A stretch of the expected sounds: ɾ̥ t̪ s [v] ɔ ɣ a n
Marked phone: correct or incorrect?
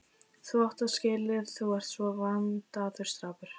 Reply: correct